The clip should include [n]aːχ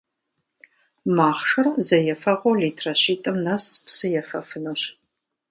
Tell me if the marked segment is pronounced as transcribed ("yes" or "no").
no